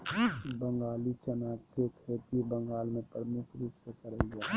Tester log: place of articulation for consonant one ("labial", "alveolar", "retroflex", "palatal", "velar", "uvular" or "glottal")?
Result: labial